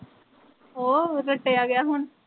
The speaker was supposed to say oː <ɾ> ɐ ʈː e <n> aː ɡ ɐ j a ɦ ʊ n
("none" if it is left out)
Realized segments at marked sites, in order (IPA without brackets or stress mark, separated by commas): ɾ, none